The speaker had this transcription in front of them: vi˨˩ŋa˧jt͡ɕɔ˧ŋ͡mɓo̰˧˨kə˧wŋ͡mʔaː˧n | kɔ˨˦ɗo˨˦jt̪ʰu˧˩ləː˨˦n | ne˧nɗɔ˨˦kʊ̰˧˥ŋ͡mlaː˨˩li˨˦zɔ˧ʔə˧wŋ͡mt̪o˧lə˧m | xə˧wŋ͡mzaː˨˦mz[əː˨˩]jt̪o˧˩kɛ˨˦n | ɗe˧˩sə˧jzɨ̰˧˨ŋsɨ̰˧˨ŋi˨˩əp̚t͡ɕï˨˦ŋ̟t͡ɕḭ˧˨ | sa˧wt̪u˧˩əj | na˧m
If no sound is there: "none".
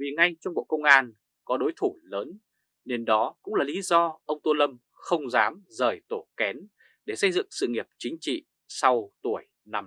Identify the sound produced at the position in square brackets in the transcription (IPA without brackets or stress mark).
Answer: əː˨˩